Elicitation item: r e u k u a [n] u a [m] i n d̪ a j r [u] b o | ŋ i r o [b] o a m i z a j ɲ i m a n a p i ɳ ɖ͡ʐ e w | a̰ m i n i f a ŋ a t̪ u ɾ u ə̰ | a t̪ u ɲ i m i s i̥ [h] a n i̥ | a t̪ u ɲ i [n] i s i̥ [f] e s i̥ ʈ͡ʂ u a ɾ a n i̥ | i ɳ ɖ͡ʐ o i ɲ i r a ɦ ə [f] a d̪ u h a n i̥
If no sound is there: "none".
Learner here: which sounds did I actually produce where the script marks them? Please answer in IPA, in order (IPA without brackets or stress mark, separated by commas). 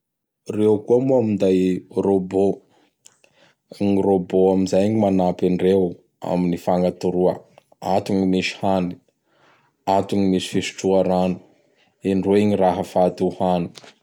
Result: m, m, o, b, h, m, f, f